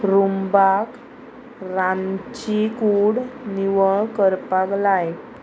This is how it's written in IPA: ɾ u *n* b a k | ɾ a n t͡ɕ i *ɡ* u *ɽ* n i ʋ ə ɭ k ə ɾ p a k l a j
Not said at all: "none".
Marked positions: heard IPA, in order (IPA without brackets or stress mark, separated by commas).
m, k, ɽ